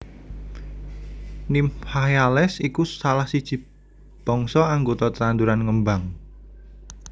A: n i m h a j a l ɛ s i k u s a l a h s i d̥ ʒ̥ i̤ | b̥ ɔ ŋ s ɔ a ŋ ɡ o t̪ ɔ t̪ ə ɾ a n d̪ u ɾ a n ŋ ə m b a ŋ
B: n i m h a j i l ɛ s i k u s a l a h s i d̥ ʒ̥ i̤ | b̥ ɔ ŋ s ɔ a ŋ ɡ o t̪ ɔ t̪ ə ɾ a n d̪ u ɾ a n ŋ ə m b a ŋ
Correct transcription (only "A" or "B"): A